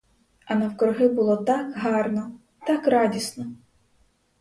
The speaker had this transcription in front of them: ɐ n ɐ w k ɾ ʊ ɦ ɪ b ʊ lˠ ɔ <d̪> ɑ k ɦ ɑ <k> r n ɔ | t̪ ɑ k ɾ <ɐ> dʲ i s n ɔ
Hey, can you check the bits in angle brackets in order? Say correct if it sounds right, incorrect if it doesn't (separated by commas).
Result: incorrect, incorrect, incorrect